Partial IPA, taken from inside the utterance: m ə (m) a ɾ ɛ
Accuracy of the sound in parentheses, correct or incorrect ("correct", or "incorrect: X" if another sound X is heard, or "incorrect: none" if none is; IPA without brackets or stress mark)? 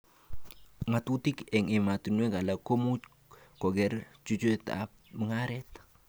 incorrect: ŋ